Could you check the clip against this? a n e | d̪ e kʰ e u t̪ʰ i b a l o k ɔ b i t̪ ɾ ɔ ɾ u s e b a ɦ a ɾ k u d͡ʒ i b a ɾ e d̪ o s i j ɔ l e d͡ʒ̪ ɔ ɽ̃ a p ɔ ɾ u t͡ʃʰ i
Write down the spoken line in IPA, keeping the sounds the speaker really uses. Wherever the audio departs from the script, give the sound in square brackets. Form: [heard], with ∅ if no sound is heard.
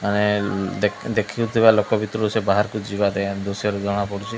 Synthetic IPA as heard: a n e | d̪ e kʰ [i] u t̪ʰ i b a l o k ɔ b i t̪ ɾ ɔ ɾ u s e b a ɦ a ɾ k u d͡ʒ i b a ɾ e d̪ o s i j ɔ [ɾ] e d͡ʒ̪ ɔ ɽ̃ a p ɔ [ɽ] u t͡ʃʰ i